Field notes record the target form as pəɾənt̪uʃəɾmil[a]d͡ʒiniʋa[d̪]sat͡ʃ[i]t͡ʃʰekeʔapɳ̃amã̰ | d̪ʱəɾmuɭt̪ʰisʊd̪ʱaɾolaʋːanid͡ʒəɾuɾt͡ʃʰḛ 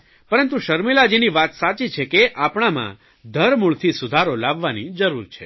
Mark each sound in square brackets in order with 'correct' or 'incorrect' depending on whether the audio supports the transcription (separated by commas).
correct, incorrect, correct